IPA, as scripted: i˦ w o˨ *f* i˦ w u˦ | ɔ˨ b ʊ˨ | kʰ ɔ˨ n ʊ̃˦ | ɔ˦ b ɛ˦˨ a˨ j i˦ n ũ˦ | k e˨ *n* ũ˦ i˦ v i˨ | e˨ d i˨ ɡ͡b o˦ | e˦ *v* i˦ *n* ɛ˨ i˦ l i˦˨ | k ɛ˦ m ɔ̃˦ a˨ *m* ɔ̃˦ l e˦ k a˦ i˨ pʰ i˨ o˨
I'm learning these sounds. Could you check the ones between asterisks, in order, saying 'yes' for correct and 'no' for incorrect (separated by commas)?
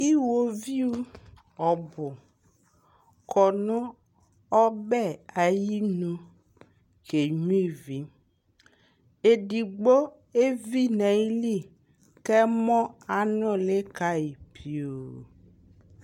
no, no, yes, yes, no